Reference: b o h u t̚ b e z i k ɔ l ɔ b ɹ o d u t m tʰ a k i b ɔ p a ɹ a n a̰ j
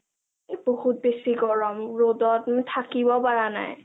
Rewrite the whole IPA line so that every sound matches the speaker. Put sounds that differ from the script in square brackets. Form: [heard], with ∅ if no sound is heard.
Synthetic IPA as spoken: b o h u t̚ b e [s] i k ɔ [ɹ] ɔ [m] ɹ o d [ɔ] t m tʰ a k i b ɔ p a ɹ a n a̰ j

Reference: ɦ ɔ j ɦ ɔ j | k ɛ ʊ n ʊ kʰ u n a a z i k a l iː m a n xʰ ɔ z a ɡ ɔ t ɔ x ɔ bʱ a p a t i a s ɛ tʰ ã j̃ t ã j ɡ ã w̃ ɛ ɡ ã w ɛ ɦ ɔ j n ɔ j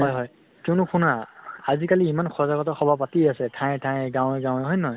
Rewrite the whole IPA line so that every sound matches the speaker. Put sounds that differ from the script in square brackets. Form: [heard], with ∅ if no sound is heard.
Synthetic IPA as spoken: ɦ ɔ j ɦ ɔ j | k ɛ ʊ n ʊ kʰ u n a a z i k a l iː m a n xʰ ɔ z a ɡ ɔ t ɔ x ɔ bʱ a p a t i a s ɛ tʰ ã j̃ [tʰ] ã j ɡ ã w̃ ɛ ɡ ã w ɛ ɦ ɔ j n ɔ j

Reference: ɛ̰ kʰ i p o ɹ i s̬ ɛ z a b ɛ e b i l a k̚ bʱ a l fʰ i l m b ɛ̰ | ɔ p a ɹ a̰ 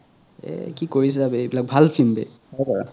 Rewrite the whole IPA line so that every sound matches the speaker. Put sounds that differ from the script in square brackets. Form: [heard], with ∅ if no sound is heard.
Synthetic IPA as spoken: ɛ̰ [k] i [k] o ɹ i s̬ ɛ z a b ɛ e b i l a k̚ bʱ a l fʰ i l m b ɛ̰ | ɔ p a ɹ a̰

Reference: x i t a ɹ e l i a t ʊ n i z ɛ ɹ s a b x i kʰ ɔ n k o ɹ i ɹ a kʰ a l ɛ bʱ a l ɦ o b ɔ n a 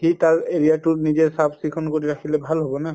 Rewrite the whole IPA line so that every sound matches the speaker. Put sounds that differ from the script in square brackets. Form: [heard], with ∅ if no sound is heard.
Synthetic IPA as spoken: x i t a ɹ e [ɹ] i a t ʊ n i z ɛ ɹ s a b [s] i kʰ ɔ n k o ɹ i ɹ a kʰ [i] l ɛ bʱ a l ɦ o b ɔ n a

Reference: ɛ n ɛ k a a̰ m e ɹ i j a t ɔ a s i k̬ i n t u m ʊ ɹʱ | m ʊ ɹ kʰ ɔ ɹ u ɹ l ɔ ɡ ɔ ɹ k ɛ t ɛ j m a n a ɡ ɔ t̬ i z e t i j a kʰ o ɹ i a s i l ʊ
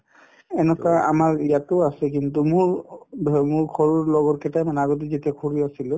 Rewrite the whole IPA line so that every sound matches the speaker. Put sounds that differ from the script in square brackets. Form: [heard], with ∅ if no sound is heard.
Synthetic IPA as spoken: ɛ n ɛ k a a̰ m [a] ɹ i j a t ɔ a s [ɛ] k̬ i n t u m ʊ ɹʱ | m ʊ ɹ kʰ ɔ ɹ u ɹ l ɔ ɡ ɔ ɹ k ɛ t [a] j m a n a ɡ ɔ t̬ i z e t i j a kʰ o ɹ i a s i l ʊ

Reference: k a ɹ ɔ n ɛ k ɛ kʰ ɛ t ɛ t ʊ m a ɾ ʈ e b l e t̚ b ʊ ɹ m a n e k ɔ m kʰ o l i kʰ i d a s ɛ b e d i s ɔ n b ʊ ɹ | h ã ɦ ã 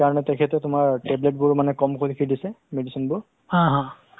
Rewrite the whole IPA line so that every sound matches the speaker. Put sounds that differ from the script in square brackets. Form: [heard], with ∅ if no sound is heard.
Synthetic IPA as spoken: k a ɹ ɔ n ɛ [t] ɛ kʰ ɛ t ɛ t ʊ m a [ɹ] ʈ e b l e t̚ b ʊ ɹ m a n [ɛ] k ɔ m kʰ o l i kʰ i d [i] s ɛ [m] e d i s ɔ n b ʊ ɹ | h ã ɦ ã

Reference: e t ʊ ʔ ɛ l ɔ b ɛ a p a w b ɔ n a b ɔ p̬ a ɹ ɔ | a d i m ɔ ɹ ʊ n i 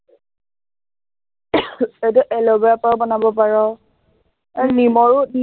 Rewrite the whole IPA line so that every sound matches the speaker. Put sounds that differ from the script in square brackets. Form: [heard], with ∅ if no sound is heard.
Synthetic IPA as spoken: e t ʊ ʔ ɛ l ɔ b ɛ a p a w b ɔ n a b ɔ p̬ a ɹ ɔ | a [n] i m ɔ ɹ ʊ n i

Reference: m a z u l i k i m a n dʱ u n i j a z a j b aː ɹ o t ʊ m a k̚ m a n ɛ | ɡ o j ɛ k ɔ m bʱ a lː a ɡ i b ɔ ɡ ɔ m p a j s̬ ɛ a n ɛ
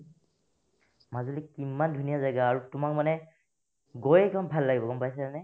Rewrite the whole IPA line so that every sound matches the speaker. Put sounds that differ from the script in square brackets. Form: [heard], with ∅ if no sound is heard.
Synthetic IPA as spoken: m a z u l i k i m a n dʱ u n i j a z a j [ɡ] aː ɹ [u] t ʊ m a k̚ m a n ɛ | ɡ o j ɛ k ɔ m bʱ a lː a ɡ i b ɔ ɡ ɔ m p a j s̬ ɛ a n ɛ

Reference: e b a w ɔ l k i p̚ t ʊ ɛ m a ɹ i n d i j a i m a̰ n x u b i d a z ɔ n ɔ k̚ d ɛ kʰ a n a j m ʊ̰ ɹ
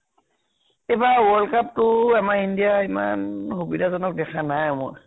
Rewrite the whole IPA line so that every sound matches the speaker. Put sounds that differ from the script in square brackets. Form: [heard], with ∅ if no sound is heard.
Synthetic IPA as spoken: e b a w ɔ l k [a] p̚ t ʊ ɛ m a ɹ i n d i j a i m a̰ n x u b i d a z ɔ n ɔ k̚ d ɛ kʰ a n a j m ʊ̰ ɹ

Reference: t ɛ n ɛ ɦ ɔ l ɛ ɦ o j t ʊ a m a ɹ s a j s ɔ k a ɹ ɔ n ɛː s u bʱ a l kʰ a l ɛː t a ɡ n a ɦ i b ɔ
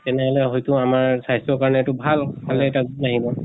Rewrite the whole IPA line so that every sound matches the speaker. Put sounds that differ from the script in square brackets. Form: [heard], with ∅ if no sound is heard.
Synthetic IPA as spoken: t ɛ n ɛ ɦ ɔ l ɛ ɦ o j t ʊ a m a ɹ s a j s ɔ k a ɹ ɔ n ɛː [t] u bʱ a l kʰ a l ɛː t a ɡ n a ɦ i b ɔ

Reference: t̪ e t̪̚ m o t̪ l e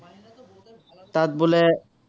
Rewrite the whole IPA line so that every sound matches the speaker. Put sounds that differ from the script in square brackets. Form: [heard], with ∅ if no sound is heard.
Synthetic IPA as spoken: t̪ [a] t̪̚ [b] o [∅] l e

